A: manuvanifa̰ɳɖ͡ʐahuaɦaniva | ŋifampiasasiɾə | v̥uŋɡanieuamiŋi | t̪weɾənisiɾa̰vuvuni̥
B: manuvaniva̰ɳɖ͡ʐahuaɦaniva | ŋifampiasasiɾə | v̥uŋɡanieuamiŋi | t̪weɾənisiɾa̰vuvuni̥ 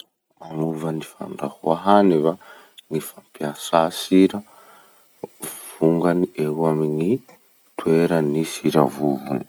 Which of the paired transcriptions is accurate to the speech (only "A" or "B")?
A